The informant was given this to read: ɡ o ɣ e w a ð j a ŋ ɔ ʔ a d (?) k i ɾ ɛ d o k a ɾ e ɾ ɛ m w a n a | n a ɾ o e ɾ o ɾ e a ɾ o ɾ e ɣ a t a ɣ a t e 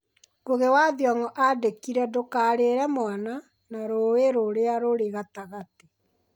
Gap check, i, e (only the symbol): e